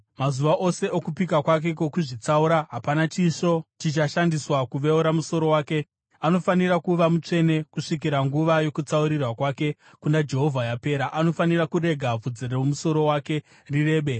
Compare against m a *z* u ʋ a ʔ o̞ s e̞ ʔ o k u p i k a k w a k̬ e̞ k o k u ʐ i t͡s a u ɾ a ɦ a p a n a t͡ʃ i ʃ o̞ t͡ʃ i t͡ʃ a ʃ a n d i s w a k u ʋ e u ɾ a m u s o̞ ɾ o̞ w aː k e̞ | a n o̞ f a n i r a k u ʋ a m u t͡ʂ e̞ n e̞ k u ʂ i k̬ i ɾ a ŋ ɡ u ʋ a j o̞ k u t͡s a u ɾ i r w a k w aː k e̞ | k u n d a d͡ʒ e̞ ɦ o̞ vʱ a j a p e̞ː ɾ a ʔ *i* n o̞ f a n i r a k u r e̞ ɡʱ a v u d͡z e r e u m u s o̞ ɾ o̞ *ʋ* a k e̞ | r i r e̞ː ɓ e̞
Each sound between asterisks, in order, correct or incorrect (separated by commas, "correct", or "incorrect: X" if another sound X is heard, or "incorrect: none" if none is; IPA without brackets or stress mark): correct, incorrect: a, incorrect: w